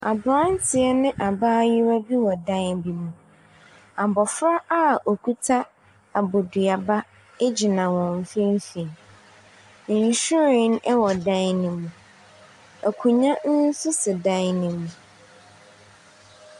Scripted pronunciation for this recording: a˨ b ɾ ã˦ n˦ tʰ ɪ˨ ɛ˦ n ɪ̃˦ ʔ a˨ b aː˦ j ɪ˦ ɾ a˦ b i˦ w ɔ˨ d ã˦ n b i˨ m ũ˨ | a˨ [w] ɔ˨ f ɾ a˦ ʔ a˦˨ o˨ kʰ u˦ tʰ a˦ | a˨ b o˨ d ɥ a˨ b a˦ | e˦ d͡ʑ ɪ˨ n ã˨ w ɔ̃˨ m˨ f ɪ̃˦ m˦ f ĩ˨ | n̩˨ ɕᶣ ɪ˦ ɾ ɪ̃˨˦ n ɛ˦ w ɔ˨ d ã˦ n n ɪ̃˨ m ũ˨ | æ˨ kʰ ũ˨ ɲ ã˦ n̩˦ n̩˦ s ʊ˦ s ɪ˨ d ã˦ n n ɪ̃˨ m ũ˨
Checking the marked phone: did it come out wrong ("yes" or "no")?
yes